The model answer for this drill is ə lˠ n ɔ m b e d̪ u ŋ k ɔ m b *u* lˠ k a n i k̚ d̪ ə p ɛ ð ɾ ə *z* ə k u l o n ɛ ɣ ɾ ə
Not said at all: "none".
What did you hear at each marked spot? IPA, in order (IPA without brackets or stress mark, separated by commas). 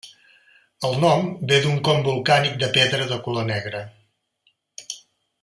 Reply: u, ð